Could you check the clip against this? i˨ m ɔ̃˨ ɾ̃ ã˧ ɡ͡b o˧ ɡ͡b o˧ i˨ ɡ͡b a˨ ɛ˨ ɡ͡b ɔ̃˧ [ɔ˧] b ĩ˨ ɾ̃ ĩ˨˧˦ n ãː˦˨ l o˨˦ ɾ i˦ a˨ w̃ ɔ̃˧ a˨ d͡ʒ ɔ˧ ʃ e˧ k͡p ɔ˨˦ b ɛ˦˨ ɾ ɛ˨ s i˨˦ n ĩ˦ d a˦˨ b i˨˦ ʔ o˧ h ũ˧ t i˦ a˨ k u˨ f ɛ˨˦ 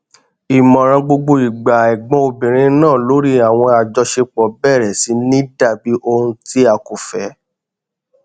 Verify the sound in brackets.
incorrect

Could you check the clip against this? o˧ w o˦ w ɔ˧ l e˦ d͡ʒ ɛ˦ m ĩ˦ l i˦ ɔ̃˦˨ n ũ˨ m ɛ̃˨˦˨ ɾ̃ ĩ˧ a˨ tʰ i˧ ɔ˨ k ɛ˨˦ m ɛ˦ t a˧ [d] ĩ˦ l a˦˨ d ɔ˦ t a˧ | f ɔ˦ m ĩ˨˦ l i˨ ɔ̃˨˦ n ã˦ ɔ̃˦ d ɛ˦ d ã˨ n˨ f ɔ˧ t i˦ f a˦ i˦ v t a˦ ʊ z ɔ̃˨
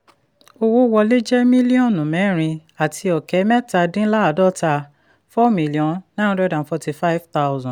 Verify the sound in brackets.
correct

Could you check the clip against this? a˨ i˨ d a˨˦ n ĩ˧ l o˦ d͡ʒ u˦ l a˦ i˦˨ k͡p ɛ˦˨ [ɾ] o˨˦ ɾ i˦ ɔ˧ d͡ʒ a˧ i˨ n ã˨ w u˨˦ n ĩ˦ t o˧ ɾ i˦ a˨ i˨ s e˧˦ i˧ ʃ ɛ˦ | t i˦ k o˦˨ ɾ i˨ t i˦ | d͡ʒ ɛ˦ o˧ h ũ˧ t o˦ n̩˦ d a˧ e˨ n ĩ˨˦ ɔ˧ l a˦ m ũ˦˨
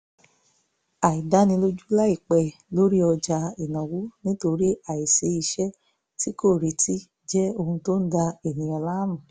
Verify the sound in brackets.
incorrect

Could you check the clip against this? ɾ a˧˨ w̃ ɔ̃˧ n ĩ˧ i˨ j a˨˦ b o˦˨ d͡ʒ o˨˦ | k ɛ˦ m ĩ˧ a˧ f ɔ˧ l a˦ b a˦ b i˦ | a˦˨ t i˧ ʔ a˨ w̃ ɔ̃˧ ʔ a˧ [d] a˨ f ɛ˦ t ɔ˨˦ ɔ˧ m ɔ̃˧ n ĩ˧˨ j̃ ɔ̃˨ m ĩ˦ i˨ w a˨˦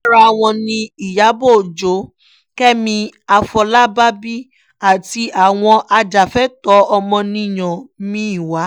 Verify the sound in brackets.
incorrect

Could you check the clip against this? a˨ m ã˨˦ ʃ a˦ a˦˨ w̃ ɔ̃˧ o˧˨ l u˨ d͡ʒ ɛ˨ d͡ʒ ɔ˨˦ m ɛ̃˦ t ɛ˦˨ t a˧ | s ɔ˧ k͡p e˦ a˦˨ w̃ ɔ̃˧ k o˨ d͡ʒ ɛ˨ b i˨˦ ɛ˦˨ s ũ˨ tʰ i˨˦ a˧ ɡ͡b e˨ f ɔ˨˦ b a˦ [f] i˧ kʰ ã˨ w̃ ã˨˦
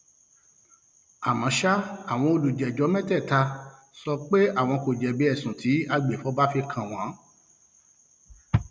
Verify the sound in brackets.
correct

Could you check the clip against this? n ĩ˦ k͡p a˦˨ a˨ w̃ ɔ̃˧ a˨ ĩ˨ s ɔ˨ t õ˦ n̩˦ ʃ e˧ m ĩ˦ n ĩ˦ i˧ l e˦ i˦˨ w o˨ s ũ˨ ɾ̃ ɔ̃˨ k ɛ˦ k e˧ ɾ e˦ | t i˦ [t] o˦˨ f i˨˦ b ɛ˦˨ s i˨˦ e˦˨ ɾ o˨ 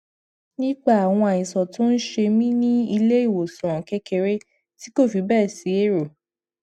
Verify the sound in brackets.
incorrect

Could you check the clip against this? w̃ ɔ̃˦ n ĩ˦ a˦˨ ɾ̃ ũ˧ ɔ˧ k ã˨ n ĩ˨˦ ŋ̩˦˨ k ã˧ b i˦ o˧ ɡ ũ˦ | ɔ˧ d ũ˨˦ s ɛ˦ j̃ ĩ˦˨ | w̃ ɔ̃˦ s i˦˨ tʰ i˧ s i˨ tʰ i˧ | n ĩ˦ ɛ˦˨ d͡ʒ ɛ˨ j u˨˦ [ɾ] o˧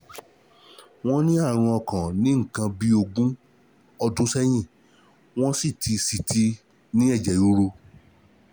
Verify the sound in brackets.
correct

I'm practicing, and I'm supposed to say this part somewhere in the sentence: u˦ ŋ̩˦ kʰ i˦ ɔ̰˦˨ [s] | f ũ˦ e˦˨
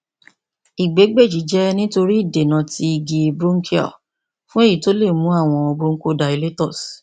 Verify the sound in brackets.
incorrect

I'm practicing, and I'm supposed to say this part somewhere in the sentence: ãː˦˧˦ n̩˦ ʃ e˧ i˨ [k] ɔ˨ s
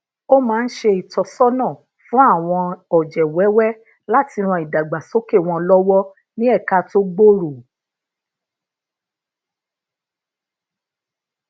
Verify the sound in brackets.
incorrect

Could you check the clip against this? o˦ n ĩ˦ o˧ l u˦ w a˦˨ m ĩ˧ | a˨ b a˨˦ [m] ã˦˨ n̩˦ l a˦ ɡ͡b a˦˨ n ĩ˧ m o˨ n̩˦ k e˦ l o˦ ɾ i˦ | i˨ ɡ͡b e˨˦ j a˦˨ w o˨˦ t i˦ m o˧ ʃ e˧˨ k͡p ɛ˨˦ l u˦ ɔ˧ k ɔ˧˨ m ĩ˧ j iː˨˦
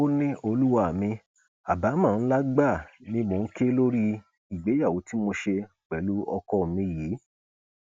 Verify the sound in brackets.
correct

